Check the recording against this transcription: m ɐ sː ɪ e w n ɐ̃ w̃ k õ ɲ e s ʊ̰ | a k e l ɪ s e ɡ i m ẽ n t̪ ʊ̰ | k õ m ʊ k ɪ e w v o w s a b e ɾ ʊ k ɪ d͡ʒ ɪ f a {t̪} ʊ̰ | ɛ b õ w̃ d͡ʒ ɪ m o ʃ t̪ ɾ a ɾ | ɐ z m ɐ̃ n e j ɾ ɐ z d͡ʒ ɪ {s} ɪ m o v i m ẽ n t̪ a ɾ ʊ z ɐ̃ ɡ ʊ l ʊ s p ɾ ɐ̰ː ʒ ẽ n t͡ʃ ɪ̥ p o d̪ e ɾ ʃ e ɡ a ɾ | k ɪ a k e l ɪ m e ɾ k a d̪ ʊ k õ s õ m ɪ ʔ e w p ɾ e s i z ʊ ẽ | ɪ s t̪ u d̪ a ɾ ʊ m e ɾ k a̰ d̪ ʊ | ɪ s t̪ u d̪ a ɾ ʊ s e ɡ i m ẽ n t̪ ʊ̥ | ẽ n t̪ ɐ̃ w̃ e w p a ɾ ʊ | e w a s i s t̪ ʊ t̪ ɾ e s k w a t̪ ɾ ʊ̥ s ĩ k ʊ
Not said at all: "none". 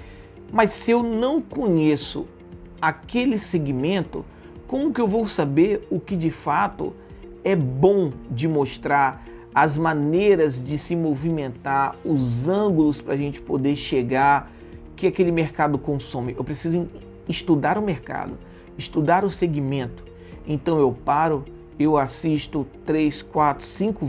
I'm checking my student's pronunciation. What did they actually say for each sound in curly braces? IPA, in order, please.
t̪, s

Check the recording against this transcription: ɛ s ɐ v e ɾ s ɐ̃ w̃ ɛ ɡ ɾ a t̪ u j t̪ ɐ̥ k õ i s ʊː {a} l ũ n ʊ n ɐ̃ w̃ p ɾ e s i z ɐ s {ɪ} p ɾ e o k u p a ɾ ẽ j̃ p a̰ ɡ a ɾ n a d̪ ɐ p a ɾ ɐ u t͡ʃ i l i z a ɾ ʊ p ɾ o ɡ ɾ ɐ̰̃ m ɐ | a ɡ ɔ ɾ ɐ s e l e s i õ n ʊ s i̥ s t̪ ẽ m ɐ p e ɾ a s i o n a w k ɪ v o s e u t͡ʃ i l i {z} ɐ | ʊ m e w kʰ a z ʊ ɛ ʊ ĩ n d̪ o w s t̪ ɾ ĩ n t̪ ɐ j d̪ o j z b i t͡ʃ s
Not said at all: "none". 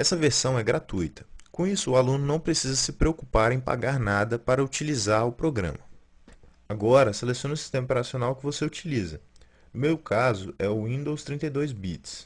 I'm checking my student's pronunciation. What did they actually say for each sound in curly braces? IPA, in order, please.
a, ɪ, z

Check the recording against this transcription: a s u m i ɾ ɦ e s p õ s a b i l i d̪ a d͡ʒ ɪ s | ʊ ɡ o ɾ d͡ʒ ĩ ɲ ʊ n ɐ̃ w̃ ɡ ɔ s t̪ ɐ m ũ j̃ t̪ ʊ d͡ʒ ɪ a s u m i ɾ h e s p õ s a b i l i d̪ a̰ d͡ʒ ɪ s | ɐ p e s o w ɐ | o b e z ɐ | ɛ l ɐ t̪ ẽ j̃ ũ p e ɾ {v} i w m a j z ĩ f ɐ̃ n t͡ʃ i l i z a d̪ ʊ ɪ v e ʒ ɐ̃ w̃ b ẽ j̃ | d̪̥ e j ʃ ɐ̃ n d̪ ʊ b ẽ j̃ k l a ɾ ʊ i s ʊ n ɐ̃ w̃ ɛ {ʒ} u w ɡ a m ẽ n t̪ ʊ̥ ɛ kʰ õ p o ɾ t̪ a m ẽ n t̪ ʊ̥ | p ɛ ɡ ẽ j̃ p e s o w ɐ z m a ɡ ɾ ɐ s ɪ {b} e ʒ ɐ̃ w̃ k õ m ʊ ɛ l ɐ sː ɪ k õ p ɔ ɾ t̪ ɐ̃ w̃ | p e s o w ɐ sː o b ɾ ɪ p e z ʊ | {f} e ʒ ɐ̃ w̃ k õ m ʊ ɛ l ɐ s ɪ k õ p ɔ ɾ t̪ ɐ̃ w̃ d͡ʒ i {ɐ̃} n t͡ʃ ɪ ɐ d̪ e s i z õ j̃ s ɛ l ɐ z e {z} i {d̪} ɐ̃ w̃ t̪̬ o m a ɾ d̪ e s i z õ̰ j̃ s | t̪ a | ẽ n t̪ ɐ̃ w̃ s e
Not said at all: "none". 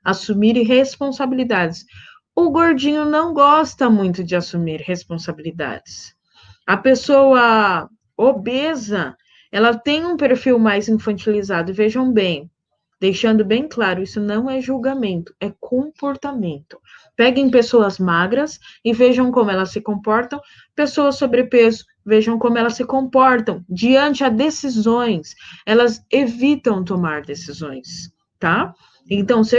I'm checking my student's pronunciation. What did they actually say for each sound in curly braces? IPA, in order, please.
f, ʒ, v, v, ɐ̃, v, t̪

